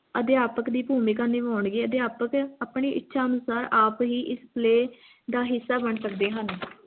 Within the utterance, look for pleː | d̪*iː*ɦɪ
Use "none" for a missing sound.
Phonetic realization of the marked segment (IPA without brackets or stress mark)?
aː